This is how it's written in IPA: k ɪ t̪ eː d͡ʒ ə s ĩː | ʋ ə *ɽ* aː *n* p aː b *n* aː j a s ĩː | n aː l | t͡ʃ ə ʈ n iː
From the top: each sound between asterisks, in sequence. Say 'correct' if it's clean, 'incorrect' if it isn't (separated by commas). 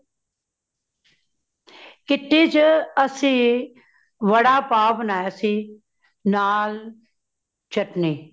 correct, incorrect, correct